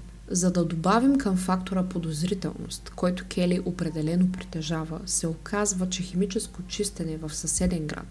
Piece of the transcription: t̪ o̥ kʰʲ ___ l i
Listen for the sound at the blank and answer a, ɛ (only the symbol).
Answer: ɛ